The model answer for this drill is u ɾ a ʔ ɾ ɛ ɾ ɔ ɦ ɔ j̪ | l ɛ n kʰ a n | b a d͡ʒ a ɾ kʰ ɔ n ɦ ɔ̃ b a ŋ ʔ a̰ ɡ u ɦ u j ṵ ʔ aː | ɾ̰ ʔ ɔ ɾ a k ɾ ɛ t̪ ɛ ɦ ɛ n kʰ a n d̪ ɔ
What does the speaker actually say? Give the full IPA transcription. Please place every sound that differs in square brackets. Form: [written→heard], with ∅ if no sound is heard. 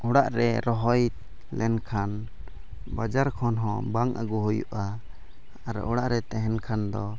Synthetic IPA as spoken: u [ɾ→ɽ] a ʔ ɾ ɛ ɾ ɔ ɦ ɔ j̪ | l ɛ n kʰ a n | b a d͡ʒ a ɾ kʰ ɔ n ɦ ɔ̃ b a ŋ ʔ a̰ ɡ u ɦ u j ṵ ʔ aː | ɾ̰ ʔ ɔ [ɾ→ɽ] a [k→ʔ] ɾ ɛ t̪ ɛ ɦ ɛ n kʰ a n d̪ ɔ